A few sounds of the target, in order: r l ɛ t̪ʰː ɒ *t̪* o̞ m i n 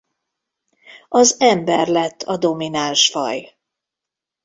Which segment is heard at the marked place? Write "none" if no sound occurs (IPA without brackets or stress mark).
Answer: d̪